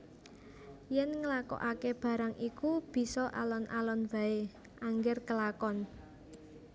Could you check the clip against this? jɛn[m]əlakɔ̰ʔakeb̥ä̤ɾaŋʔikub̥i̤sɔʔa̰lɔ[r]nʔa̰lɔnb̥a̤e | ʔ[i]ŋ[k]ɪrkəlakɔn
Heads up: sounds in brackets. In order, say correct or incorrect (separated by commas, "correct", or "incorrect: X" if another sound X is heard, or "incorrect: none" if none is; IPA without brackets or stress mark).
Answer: incorrect: ŋ, incorrect: none, incorrect: a, incorrect: ɡ